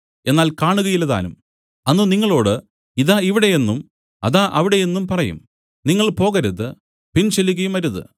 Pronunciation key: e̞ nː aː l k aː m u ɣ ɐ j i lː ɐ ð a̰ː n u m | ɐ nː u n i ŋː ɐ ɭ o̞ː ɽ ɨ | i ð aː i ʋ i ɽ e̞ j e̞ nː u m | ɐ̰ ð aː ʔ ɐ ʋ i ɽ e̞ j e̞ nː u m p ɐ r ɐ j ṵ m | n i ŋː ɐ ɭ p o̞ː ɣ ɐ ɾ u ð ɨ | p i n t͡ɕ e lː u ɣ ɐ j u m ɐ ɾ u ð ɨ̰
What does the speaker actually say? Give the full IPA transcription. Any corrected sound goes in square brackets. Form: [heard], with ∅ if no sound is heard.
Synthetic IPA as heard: e̞ nː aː l k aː [ɳ] u ɣ ɐ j i lː ɐ ð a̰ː n u m | ɐ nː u n i ŋː ɐ ɭ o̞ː ɽ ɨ | i ð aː i ʋ i ɽ e̞ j e̞ nː u m | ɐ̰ ð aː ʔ ɐ ʋ i ɽ e̞ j e̞ nː u m p ɐ r ɐ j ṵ m | n i ŋː ɐ ɭ p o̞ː ɣ ɐ ɾ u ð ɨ | p i n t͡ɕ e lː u ɣ ɐ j u m ɐ ɾ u ð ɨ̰